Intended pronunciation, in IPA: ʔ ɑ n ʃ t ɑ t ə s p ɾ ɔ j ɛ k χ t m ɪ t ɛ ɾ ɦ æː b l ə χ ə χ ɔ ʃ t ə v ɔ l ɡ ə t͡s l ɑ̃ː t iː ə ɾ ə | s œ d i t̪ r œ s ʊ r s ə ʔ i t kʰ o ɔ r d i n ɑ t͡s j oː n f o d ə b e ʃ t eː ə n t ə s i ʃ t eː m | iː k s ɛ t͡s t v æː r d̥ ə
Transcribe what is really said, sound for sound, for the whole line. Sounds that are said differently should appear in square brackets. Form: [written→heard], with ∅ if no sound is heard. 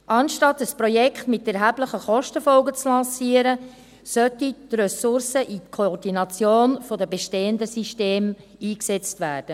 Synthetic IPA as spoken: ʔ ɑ n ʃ t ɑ t ə s p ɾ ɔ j ɛ k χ t m ɪ t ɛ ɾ ɦ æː b l ə χ ə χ ɔ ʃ t ə [v→f] ɔ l ɡ ə t͡s l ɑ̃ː [t→s] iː ə ɾ ə | s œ [d→t] i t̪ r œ s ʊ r s ə ʔ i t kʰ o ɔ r d i n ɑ t͡s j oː n f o d ə b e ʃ t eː ə n [t→d] ə s i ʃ t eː m | iː k s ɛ t͡s t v æː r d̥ ə

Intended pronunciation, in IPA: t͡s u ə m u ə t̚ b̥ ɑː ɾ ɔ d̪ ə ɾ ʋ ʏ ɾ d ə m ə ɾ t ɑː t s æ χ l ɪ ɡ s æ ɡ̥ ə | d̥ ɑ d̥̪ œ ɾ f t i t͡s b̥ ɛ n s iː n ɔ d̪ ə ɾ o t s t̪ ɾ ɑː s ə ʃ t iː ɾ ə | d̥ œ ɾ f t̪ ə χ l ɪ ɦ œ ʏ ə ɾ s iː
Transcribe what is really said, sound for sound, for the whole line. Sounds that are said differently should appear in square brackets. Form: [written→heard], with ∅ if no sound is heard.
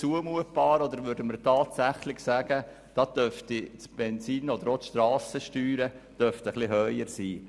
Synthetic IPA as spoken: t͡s u ə m u ə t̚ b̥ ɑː ɾ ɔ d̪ ə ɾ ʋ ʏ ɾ d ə m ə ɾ t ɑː t s æ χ l ɪ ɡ s æ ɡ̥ ə | d̥ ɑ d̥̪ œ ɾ f t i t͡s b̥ ɛ n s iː n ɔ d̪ ə ɾ o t [s→ʃ] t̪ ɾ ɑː s ə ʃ t [iː→yː] ɾ ə | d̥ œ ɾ f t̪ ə χ l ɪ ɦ œ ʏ ə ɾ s iː

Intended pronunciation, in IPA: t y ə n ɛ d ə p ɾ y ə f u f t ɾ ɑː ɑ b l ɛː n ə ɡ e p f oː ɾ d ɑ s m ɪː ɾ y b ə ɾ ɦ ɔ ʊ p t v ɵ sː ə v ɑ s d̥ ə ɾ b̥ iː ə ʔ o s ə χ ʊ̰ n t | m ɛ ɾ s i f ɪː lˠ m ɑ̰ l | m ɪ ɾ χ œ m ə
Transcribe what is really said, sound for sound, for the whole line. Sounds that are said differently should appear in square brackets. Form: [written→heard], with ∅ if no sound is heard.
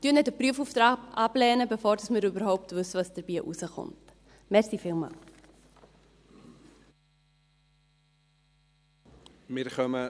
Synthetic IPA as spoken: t y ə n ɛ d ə p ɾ y ə f u f t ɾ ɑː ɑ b l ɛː n ə [ɡ→b] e [p→∅] f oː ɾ d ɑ s m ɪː ɾ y b ə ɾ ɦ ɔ ʊ p t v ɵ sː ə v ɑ s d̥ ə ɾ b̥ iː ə ʔ [o→u] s ə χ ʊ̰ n t | m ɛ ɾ s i f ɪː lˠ m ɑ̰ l | m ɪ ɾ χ œ m ə

